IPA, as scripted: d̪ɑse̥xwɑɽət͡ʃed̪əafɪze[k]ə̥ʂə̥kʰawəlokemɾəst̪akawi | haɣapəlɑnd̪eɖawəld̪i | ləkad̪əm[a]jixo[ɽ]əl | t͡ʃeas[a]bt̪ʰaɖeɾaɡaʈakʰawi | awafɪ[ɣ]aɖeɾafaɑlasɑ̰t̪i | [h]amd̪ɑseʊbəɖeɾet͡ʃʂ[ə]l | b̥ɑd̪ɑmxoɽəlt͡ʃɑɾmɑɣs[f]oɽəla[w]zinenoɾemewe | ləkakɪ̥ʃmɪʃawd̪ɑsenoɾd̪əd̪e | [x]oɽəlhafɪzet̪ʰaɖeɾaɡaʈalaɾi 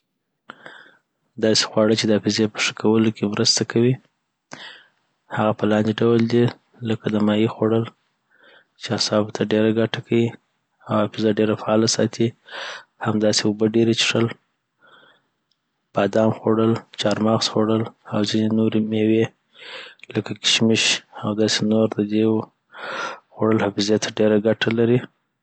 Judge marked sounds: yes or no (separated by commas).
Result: no, no, yes, no, no, yes, yes, no, yes, yes